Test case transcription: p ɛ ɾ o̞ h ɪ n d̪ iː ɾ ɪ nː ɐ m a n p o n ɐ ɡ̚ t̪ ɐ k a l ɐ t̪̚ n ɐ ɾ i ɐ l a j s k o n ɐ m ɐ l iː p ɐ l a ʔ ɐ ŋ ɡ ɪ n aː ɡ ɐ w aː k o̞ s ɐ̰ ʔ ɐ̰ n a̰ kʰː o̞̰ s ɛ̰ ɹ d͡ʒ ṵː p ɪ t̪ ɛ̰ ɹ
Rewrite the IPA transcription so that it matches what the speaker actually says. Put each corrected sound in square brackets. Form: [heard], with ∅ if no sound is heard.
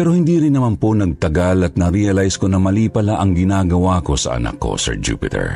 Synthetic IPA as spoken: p ɛ ɾ o̞ h ɪ n d̪ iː ɾ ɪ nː ɐ m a n p o n ɐ ɡ̚ t̪ ɐ [ɡ] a l ɐ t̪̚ n ɐ ɾ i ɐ l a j s k o n ɐ m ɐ l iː p ɐ l a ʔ ɐ ŋ ɡ ɪ n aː ɡ ɐ w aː k o̞ s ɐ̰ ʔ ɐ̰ n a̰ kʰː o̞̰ s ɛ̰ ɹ d͡ʒ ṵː p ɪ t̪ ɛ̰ ɹ